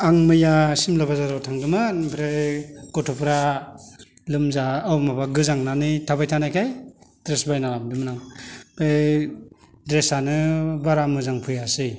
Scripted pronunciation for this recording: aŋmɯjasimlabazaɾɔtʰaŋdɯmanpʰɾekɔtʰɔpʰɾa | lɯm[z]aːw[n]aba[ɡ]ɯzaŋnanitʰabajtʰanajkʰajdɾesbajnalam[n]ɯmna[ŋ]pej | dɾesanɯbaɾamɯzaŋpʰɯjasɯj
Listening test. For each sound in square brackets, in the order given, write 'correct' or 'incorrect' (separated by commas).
correct, incorrect, correct, incorrect, correct